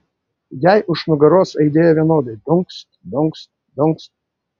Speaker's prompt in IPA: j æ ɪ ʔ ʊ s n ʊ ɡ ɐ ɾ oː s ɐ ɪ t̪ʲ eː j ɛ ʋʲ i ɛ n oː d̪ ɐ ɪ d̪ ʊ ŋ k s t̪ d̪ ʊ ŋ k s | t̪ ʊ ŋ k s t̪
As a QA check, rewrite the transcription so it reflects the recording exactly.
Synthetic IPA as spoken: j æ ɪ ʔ ʊ ʃ n ʊ ɡ ɐ ɾ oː s ɐ ɪ d̪ʲ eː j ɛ ʋʲ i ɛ n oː d̪ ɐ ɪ d̪ ʊ ŋ k s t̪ d̪ ʊ ŋ k s | d̪ ʊ ŋ k s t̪